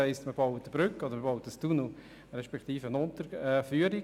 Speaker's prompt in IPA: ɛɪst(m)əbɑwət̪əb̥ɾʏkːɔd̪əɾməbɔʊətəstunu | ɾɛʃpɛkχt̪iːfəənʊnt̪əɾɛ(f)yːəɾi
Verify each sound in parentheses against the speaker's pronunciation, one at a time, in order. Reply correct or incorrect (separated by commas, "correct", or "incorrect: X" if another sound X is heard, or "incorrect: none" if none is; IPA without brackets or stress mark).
correct, correct